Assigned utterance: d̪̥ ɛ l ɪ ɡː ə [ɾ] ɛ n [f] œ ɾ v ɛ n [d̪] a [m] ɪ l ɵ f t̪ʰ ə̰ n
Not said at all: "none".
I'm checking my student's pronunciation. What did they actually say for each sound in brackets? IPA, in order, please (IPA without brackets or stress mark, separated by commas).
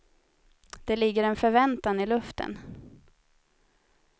ɾ, f, t̪, n